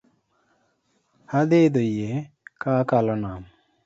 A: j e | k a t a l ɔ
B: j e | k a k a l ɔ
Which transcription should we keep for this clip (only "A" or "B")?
B